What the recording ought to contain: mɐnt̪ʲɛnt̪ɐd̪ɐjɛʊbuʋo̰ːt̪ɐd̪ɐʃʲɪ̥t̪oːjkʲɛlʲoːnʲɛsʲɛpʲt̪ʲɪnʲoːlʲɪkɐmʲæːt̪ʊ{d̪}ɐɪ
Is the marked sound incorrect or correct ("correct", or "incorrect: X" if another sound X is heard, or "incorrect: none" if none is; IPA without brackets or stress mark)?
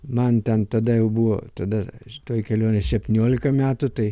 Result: incorrect: t̪